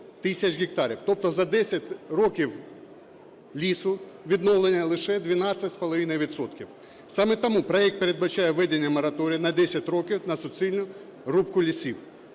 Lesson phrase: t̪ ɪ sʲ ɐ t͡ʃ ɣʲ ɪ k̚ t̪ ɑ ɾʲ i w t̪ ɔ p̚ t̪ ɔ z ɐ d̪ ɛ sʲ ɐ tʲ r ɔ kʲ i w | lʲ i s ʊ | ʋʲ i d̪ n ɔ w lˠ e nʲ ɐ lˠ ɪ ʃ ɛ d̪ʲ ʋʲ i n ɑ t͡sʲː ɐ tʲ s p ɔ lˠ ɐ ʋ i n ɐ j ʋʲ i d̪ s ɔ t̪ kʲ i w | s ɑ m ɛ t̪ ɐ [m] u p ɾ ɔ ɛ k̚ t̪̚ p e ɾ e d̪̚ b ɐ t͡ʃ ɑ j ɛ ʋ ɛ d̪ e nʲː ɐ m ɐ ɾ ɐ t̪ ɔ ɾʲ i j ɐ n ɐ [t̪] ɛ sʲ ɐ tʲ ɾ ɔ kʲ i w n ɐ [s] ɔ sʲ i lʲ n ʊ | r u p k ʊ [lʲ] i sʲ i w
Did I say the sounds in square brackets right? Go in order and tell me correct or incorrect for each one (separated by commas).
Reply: correct, incorrect, correct, correct